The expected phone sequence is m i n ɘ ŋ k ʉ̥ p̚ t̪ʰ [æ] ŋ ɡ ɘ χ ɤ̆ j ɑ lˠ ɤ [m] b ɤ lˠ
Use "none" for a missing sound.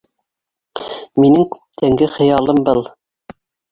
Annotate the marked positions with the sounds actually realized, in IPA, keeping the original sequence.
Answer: æ, m

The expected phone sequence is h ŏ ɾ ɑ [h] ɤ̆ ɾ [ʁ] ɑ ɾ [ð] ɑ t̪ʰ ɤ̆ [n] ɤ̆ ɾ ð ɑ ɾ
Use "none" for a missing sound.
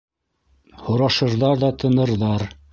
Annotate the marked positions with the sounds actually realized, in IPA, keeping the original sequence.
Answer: ʃ, ð, ð, n

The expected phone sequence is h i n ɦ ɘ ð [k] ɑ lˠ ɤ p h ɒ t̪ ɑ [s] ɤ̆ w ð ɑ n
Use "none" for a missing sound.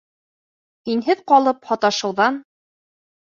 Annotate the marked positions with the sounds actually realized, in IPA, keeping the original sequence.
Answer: q, ʃ

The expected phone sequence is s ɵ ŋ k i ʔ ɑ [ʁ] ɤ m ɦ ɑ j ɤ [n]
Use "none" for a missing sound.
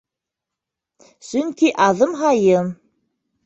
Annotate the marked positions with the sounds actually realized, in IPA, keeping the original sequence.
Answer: ð, m

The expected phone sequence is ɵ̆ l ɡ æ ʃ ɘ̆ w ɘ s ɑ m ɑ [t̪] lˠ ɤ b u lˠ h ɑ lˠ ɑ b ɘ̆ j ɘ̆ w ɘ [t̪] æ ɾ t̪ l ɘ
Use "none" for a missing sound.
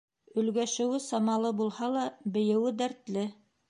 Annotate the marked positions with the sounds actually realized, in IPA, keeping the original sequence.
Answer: none, d̪

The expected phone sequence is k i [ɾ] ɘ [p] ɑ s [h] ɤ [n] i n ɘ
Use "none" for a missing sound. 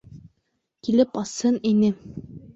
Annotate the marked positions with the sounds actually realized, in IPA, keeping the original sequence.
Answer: l, p, h, n

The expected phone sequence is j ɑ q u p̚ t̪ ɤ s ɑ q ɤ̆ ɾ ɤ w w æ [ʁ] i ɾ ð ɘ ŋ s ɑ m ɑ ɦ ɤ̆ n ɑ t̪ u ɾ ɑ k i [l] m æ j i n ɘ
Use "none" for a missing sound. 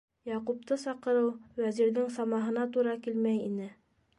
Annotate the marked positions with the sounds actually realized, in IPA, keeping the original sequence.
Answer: z, l

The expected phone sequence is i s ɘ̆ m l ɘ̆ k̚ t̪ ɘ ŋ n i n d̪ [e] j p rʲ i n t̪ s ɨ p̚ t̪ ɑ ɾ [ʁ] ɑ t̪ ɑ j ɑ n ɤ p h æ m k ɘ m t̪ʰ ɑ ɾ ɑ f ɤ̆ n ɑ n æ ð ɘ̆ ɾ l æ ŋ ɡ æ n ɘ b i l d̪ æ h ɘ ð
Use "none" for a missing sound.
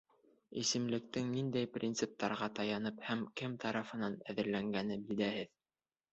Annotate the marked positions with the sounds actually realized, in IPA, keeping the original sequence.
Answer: æ, ʁ

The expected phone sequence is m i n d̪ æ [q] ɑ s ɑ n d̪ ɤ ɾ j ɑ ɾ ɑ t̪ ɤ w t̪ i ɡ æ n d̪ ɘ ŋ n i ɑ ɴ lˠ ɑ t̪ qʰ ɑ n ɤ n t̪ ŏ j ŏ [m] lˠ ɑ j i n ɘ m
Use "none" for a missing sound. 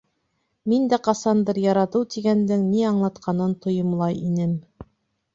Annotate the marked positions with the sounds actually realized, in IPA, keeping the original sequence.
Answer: q, m

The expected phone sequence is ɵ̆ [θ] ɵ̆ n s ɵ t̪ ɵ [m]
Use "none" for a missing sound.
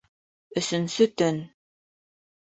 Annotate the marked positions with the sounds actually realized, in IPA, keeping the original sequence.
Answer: s, n

